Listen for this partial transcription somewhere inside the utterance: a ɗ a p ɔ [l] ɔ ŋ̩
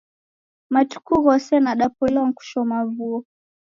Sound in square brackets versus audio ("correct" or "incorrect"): correct